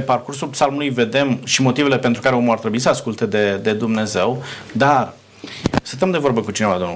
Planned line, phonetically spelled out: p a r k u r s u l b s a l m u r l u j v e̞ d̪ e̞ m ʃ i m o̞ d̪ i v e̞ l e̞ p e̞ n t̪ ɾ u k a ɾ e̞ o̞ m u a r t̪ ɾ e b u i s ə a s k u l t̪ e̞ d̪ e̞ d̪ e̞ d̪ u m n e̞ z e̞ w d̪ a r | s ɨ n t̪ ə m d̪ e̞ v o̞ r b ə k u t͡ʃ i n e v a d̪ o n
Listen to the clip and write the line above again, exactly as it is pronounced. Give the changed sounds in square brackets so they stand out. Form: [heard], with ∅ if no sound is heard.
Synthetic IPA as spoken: p a r k u r s u l [p] s a l m u [∅] l u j v e̞ d̪ e̞ m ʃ i m o̞ [t̪] i v e̞ l e̞ p e̞ n t̪ ɾ u k a ɾ e̞ o̞ m u a r t̪ ɾ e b u i s ə a s k u l t̪ e̞ d̪ e̞ d̪ e̞ d̪ u m n e̞ z e̞ w d̪ a r | s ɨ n t̪ ə m d̪ e̞ v o̞ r b ə k u t͡ʃ i n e v a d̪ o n